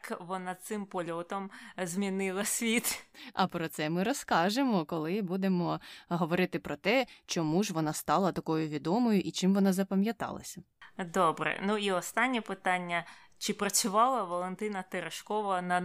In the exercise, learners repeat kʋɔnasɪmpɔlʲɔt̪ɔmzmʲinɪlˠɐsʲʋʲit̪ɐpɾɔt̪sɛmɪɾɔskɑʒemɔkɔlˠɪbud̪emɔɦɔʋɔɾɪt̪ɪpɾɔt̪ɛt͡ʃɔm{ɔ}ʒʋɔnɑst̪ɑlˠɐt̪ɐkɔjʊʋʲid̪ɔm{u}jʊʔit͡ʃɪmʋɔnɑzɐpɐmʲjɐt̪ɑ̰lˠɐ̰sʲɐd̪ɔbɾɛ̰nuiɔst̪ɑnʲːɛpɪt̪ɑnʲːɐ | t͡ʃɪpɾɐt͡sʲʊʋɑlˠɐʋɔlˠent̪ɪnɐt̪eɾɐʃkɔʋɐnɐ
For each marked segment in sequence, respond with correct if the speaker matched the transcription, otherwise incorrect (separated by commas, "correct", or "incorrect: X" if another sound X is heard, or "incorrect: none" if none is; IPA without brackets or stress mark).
incorrect: u, incorrect: ɔ